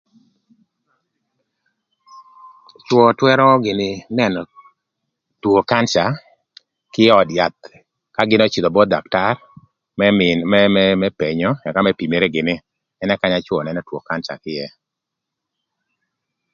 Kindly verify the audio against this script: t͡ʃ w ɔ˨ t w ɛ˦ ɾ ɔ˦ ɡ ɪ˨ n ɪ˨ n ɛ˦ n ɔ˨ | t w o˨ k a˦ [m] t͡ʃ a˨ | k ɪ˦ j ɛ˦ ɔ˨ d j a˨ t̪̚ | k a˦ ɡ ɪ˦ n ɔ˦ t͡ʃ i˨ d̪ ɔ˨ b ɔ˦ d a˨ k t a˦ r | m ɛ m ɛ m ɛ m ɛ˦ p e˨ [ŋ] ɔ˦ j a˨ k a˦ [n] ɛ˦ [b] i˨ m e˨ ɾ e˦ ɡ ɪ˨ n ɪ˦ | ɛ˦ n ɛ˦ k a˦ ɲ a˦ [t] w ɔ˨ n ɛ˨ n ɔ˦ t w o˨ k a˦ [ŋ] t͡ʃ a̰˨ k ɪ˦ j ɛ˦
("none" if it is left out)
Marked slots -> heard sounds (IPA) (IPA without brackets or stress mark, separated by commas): n, ɲ, m, p, t͡ʃ, n